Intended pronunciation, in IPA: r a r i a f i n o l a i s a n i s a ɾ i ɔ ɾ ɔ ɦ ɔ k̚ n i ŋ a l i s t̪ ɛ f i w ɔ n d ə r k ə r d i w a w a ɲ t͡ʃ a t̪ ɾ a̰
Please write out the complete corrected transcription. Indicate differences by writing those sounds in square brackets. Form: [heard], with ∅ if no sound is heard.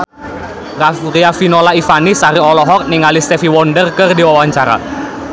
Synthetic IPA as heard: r a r i a f i n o l a i [f] a n i s a ɾ i ɔ [l] ɔ ɦ ɔ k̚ n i ŋ a l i s t̪ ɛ f i w ɔ n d ə r k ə r d i w a w a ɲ t͡ʃ a [∅] ɾ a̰